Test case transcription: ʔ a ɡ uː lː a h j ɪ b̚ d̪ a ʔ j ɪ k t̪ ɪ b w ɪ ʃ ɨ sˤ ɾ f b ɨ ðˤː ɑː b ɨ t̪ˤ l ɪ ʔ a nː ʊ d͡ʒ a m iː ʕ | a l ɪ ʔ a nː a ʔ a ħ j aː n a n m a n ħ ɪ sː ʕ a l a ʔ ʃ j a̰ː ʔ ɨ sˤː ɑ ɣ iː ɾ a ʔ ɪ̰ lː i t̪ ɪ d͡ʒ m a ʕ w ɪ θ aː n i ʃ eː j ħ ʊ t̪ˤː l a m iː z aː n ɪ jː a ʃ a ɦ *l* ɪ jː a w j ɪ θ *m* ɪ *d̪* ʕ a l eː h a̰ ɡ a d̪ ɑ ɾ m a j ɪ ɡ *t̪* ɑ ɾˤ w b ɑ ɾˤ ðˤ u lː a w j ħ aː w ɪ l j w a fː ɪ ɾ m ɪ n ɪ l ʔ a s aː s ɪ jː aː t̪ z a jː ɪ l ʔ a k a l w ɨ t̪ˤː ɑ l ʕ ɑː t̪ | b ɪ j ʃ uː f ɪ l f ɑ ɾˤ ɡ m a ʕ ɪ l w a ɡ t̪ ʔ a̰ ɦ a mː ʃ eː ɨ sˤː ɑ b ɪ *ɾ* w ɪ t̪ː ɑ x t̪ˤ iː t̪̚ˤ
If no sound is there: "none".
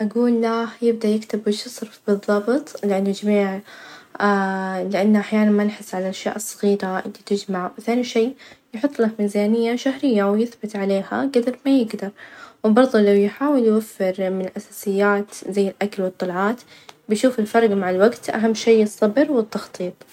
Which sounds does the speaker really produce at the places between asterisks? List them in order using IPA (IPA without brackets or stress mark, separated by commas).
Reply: ɾ, b, t̪, d̪, ɾ